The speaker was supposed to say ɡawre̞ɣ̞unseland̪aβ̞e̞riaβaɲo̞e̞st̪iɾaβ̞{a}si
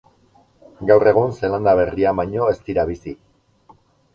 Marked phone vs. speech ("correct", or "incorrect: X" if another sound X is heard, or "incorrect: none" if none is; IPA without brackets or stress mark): incorrect: i